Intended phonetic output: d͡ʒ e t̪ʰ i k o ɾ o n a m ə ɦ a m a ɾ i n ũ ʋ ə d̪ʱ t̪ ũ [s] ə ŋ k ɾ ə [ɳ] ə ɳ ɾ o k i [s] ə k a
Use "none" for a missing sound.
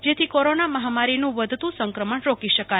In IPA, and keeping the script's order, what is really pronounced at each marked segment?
s, m, ʃ

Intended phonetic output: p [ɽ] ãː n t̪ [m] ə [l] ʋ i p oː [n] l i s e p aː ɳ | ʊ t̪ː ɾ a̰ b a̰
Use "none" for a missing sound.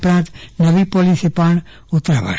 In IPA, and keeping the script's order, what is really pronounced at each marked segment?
ɾ, n, none, none

